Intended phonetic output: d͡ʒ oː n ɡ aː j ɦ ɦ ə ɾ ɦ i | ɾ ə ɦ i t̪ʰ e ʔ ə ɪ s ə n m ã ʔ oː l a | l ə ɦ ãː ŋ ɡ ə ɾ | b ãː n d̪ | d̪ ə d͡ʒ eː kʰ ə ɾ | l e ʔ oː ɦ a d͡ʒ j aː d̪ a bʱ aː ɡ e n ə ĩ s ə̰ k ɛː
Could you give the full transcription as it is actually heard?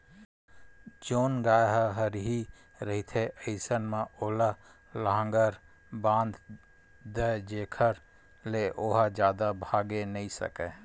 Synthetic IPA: d͡ʒ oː n ɡ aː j ɦ ɦ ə ɾ ɦ i | ɾ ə ɦ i t̪ʰ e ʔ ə ɪ s ə n m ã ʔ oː l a | l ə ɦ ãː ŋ ɡ ə ɾ | b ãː n d̪ | d̪ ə d͡ʒ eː kʰ ə ɾ | l e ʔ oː ɦ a d͡ʒ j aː d̪ a bʱ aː ɡ e n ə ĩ s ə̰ k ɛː